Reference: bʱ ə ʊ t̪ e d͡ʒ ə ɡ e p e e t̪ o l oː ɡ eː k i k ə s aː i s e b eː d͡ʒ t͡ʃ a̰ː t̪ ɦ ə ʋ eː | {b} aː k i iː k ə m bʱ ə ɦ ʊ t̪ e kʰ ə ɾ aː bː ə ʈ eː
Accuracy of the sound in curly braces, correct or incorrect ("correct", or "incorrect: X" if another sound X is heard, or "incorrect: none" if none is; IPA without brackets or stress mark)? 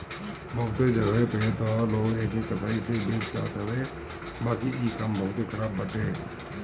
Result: correct